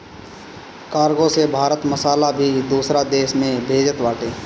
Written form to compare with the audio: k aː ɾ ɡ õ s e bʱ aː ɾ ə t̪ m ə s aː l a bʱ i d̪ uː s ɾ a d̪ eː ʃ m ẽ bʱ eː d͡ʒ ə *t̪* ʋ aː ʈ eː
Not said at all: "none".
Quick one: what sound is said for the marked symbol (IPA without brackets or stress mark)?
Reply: t̪